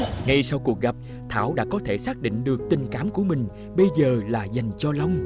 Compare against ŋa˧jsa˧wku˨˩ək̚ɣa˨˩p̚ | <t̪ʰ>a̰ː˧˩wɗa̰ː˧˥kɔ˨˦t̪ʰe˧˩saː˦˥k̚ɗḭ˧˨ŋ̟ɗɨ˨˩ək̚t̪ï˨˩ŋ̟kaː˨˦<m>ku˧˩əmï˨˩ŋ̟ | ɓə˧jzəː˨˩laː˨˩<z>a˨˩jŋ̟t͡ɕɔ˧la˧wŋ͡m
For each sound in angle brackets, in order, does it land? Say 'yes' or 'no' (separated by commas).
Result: yes, yes, yes